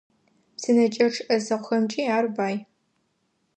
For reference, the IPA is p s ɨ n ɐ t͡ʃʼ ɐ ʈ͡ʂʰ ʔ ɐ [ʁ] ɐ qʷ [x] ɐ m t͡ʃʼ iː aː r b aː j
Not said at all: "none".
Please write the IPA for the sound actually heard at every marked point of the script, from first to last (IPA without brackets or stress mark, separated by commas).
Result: z, x